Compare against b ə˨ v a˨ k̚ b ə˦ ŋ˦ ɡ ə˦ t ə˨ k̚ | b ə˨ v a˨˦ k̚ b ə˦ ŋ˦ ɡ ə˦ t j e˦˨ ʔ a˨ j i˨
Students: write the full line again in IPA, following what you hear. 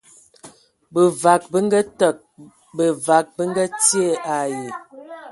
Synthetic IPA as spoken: b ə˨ v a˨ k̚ b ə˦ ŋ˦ ɡ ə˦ t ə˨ k̚ | b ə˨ v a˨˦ k̚ b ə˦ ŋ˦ ɡ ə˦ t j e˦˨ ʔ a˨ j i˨